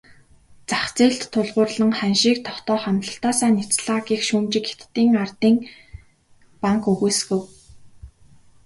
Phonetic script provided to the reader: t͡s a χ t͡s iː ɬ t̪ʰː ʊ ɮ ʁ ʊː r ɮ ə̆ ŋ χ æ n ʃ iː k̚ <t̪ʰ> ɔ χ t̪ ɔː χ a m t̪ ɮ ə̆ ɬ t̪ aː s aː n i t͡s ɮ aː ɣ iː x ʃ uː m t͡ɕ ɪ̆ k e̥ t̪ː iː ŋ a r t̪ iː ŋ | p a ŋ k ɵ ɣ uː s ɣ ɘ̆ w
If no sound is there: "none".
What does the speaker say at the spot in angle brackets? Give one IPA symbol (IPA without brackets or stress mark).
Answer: t̪ʰ